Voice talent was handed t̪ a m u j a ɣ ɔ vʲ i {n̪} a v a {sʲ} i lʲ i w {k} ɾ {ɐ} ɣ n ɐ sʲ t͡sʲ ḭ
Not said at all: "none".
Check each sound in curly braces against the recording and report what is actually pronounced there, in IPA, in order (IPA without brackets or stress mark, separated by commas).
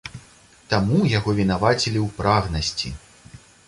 n̪, t͡sʲ, p, a